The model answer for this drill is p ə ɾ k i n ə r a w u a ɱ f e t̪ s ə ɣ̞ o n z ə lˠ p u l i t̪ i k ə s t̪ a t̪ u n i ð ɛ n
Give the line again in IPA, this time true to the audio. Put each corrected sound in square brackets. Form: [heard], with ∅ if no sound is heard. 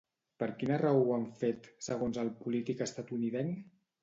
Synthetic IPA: p ə ɾ k i n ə r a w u a ɱ f e t̪ s ə ɣ̞ o n z ə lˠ p u l i t̪ i k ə s t̪ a t̪ u n i ð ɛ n